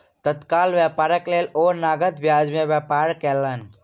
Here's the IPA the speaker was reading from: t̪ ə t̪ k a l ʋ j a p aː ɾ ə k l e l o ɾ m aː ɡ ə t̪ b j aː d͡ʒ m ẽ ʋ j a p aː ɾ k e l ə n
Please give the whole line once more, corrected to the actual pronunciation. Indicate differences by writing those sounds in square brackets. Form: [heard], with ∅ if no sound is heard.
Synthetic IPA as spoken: t̪ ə t̪ k a l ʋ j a p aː ɾ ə k l e l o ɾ [n] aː ɡ ə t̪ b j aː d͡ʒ m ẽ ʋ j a p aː ɾ k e l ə n